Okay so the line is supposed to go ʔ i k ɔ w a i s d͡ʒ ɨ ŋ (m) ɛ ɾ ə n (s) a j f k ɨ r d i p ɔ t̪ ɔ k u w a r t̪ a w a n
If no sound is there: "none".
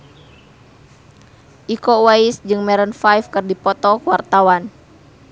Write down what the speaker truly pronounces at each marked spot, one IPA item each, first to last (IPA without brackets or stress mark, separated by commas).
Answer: m, f